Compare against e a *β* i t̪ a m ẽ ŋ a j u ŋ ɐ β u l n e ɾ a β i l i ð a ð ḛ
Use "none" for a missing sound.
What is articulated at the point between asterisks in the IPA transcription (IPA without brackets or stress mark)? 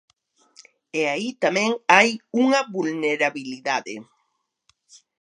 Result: none